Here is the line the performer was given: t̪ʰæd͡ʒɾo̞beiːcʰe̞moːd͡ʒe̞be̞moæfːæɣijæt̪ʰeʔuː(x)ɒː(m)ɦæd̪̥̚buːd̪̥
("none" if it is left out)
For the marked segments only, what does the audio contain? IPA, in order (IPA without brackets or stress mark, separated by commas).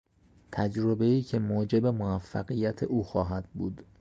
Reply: x, none